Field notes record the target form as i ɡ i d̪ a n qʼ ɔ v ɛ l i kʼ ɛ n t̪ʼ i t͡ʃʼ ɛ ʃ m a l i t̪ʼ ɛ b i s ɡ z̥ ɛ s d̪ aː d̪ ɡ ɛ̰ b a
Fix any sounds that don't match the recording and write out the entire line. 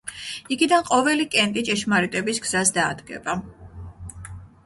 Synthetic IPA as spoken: i ɡ i d̪ a n qʼ ɔ v ɛ l i kʼ ɛ n t̪ʼ i t͡ʃʼ ɛ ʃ m a ɾ i t̪ʼ ɛ b i s ɡ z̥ a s d̪ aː d̪ ɡ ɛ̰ b a